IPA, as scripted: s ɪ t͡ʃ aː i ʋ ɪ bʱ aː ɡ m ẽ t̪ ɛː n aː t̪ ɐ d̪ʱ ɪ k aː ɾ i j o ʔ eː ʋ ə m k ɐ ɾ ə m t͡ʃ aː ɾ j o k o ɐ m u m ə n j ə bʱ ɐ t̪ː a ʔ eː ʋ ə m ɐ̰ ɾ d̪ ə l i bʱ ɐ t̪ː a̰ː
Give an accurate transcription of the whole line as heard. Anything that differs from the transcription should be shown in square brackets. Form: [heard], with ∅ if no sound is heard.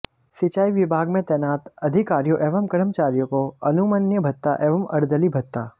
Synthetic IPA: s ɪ t͡ʃ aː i ʋ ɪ bʱ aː ɡ m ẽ t̪ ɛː n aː t̪ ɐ d̪ʱ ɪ k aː ɾ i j o ʔ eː ʋ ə m k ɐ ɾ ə m t͡ʃ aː ɾ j o k o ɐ [n] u m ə n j ə bʱ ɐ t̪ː a ʔ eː ʋ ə m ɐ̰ ɾ d̪ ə l i bʱ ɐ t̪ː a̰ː

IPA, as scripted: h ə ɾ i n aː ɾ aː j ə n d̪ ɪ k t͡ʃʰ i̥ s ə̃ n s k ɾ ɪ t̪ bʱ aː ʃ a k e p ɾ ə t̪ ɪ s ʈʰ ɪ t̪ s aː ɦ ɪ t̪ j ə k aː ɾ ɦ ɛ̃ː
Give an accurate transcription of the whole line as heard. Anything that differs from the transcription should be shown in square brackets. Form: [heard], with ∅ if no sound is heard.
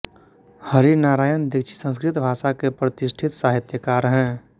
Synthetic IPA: h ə ɾ i n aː ɾ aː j ə n d̪ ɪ k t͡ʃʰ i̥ s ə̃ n s k ɾ ɪ t̪ bʱ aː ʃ a k e p ɾ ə t̪ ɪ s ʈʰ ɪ t̪ s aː ɦ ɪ t̪ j ə k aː ɾ ɦ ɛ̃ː

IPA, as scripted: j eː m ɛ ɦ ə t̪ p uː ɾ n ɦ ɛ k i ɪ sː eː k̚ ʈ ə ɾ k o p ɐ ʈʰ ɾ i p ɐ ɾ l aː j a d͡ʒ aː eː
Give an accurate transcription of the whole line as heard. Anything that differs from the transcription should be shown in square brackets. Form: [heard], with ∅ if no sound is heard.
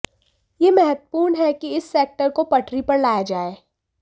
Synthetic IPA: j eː m ɛ ɦ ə t̪ p uː ɾ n ɦ ɛ k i ɪ sː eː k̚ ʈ ə ɾ k o p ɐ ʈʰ ɾ i p ɐ ɾ l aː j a d͡ʒ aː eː

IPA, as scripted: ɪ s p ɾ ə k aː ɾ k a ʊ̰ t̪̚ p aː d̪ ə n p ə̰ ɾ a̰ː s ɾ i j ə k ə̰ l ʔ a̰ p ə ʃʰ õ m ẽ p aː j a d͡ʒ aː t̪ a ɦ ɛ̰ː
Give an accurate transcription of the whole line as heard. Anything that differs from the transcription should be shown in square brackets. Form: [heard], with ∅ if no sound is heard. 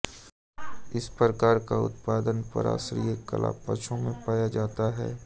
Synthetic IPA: ɪ s p ɾ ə k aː ɾ k a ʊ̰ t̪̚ p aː d̪ ə n p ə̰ ɾ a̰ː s ɾ i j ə k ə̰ l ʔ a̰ p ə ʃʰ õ m ẽ p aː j a d͡ʒ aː t̪ a ɦ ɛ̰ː

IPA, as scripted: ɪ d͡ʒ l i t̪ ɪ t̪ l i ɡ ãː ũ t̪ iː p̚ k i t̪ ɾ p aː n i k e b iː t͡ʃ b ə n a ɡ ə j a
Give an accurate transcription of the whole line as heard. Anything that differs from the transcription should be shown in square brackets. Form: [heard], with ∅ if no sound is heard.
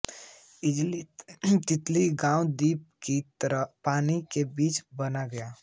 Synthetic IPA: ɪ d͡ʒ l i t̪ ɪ t̪ l i ɡ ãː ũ [d̪] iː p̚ k i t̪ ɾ p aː n i k e b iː t͡ʃ b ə n a ɡ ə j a

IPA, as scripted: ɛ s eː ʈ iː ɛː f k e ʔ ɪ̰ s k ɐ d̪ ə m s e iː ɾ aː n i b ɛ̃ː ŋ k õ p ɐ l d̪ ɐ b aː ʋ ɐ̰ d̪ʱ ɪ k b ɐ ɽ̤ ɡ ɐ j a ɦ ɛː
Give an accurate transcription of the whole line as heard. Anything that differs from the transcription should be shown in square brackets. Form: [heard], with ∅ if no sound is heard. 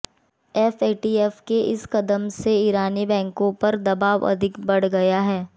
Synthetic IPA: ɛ [f] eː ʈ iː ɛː f k e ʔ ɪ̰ s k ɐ d̪ ə m s e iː ɾ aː n i b ɛ̃ː ŋ k õ p ɐ [ɾ] d̪ ɐ b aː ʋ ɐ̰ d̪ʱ ɪ k b ɐ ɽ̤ ɡ ɐ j a ɦ ɛː

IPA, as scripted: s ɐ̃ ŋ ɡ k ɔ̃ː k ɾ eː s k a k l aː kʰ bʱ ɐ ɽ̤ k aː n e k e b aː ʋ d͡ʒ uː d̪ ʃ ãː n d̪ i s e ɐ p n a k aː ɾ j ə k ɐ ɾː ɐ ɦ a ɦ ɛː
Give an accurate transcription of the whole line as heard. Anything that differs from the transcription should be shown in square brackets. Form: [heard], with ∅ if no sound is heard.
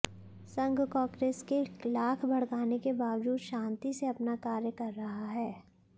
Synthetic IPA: s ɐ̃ ŋ ɡ k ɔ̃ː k ɾ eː s k [e] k l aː kʰ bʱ ɐ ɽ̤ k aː n e k e b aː ʋ d͡ʒ uː d̪ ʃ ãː n [t̪] i s e ɐ p n a k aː ɾ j ə k ɐ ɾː ɐ ɦ a ɦ ɛː

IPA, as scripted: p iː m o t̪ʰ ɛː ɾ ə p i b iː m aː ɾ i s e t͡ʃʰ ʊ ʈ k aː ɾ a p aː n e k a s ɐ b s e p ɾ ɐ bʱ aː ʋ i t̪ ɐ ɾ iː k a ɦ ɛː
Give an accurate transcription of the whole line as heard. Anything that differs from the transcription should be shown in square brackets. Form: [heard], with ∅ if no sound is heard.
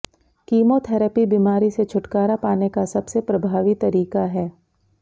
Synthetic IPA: [k] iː m o t̪ʰ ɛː ɾ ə p i b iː m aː ɾ i s e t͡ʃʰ ʊ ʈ k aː ɾ a p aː n e k a s ɐ b s e p ɾ ɐ bʱ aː ʋ i t̪ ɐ ɾ iː k a ɦ ɛː

